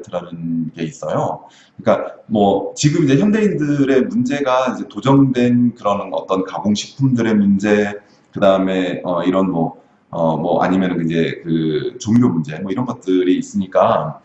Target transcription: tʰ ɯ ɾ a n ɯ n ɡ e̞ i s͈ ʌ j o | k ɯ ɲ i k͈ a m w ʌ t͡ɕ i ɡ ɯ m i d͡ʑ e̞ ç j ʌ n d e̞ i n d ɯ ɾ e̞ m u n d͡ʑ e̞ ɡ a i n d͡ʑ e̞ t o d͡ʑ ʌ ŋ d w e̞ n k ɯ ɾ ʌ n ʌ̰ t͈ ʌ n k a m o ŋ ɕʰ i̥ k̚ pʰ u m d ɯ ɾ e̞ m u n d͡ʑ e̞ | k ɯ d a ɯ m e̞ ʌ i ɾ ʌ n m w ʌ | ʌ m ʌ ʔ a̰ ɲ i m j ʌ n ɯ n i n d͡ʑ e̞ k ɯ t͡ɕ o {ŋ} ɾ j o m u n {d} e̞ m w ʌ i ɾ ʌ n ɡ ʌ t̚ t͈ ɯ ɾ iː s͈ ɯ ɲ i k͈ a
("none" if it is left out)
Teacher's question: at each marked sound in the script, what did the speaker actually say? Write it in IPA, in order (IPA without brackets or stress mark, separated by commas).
ŋ, d͡ʑ